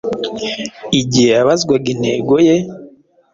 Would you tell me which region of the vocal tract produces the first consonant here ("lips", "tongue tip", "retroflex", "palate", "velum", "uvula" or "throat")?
palate